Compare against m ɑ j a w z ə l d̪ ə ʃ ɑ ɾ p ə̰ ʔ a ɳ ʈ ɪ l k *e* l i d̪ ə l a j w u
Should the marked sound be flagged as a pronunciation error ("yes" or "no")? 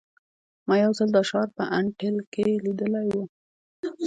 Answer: no